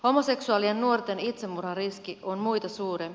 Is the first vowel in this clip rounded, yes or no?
yes